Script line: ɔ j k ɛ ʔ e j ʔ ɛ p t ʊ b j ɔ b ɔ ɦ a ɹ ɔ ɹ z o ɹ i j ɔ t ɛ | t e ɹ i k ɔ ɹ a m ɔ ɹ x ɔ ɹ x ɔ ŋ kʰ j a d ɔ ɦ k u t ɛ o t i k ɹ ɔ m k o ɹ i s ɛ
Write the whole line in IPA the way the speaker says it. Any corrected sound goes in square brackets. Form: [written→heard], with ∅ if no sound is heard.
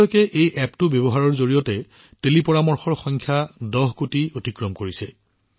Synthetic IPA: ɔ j k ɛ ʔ e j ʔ ɛ p t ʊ b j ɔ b ɔ ɦ a ɹ ɔ ɹ z o ɹ i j ɔ t ɛ | t e [ɹ→l] i [k→p] ɔ ɹ a m ɔ ɹ x ɔ ɹ x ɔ ŋ kʰ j a d ɔ ɦ k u t [ɛ→i] o t i k ɹ ɔ m k o ɹ i s ɛ